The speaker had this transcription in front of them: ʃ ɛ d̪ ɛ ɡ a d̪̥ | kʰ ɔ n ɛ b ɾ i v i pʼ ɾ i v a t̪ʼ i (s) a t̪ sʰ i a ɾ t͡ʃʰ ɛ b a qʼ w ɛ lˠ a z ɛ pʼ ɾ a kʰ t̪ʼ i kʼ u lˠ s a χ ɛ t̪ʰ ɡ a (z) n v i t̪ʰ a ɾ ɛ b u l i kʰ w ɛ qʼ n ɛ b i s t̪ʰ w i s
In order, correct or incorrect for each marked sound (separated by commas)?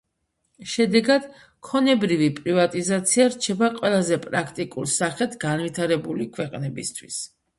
incorrect, incorrect